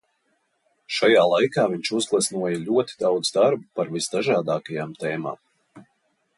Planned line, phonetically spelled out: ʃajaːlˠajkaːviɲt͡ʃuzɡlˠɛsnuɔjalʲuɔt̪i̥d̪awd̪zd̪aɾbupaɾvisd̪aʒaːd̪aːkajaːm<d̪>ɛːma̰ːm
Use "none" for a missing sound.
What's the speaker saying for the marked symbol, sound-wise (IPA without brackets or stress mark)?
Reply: t̪